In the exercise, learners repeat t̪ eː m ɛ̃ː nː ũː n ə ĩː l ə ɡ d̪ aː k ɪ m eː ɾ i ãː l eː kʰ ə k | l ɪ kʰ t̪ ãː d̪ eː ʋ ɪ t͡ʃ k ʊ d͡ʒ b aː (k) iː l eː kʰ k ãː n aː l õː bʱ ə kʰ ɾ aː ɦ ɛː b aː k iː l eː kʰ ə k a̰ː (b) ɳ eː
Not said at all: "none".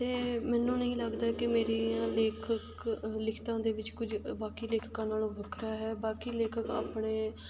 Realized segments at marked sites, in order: k, p

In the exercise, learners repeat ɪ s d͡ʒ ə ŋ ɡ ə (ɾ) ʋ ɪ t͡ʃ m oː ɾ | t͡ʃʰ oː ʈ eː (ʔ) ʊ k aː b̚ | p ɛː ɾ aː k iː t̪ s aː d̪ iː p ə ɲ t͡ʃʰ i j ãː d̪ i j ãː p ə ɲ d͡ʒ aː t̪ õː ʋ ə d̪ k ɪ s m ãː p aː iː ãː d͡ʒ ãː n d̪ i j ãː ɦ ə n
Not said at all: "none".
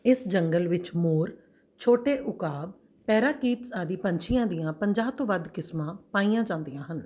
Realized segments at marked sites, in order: l, ʔ

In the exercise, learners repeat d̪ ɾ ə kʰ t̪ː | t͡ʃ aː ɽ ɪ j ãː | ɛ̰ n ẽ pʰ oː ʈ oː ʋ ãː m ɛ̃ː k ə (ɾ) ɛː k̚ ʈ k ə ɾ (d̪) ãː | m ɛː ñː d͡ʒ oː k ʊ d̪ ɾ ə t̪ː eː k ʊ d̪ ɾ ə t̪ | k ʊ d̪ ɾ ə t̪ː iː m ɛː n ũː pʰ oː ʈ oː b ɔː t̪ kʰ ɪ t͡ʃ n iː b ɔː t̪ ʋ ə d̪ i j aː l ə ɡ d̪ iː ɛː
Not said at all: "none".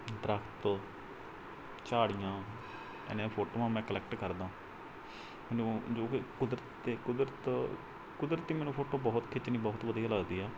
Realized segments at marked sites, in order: l, d̪

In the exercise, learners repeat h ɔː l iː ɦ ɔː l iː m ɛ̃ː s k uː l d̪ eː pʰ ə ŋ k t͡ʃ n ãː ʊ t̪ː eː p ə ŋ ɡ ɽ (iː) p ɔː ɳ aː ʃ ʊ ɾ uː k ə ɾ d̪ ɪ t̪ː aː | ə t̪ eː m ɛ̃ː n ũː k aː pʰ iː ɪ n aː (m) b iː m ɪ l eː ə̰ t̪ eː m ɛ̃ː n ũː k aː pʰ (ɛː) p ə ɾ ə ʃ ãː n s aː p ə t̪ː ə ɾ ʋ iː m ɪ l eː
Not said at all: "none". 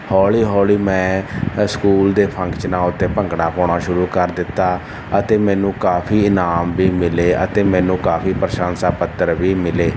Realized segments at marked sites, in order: aː, m, iː

